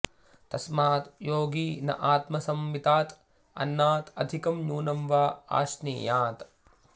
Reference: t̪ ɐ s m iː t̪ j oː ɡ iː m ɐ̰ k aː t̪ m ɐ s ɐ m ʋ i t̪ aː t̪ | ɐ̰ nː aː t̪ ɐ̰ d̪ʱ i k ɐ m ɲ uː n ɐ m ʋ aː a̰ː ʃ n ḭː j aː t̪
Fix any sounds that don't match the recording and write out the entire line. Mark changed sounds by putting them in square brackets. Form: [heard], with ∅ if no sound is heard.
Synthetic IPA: t̪ ɐ s m [aː] t̪ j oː ɡ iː [n] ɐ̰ [ʔ] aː t̪ m ɐ s ɐ m ʋ i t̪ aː t̪ | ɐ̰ nː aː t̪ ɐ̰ d̪ʱ i k ɐ m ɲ uː n ɐ m ʋ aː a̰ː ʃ n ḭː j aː t̪